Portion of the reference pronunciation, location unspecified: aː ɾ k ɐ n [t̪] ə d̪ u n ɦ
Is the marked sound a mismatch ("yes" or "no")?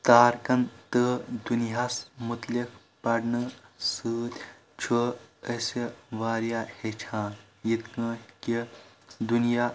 no